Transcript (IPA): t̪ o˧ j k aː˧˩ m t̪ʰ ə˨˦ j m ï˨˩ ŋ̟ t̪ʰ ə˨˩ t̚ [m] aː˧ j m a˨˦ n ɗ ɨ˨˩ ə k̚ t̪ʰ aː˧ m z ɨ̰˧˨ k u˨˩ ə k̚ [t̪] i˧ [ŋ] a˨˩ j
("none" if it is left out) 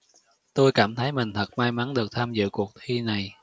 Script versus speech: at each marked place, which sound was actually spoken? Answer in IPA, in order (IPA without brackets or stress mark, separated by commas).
m, t̪ʰ, n